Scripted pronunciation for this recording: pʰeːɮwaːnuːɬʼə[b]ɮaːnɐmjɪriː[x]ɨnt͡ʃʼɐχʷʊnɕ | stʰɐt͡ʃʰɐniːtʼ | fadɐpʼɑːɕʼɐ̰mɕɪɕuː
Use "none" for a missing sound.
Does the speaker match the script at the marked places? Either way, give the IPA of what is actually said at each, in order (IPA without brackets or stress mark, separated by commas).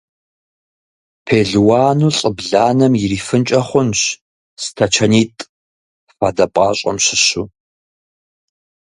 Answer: b, f